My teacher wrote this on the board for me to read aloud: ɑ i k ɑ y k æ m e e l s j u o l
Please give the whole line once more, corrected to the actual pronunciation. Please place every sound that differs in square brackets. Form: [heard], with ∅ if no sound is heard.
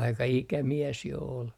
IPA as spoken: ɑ i k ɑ [i] k æ m [i] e [∅] s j [o] o l